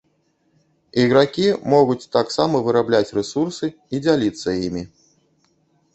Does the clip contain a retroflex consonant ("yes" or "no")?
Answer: no